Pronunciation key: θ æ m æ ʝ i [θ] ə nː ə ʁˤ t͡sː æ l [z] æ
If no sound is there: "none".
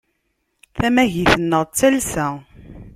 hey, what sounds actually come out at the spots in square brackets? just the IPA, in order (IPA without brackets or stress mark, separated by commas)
θ, s